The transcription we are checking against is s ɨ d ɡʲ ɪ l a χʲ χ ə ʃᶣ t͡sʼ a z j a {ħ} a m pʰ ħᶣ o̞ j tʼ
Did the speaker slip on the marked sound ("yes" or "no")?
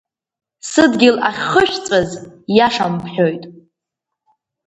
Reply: yes